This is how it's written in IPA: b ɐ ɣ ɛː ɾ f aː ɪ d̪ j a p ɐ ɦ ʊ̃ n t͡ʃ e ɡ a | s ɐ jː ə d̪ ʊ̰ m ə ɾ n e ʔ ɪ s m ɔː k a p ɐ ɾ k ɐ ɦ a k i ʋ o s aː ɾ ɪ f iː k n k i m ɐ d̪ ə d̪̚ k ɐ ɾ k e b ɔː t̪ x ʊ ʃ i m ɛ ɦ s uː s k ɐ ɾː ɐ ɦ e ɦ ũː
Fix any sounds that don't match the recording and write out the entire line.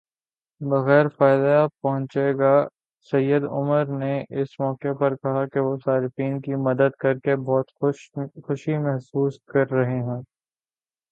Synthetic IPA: b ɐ ɣ ɛː ɾ f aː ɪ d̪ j a p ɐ ɦ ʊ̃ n t͡ʃ e ɡ a | s ɐ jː ə d̪ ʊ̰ m ə ɾ n e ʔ ɪ s m ɔː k e p ɐ ɾ k ɐ ɦ a k e ʋ o s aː ɾ ɪ f iː n k i m ɐ d̪ ə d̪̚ k ɐ ɾ k e b ɔː t̪ x ʊ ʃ i m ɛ ɦ s uː s k ɐ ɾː ɐ ɦ e ɦ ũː